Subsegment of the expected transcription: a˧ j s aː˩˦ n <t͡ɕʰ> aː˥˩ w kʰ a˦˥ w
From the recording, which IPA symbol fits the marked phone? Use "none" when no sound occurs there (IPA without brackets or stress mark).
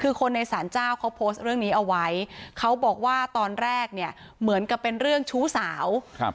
t͡ɕ